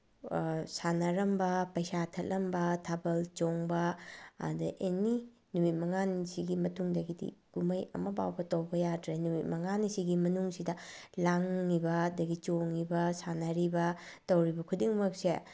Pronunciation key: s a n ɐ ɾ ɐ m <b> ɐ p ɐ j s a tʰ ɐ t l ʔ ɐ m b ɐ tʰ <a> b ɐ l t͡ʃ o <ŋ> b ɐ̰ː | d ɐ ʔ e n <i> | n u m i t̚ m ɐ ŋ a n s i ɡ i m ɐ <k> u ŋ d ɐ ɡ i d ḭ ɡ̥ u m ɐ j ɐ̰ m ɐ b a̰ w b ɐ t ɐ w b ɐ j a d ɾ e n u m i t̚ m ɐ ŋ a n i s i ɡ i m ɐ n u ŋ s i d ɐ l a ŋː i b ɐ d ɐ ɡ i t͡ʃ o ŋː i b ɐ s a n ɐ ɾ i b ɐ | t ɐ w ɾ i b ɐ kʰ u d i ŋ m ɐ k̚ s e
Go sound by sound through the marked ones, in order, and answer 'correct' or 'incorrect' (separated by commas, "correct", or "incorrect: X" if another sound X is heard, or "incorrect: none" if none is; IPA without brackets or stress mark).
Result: correct, correct, correct, correct, incorrect: t